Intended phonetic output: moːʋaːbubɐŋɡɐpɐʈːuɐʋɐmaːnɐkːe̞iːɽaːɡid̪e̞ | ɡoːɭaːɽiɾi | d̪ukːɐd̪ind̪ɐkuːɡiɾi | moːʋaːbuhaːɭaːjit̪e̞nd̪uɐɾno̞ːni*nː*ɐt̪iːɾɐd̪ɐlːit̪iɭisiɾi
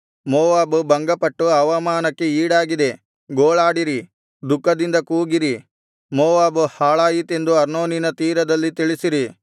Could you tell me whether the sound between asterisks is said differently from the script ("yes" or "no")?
yes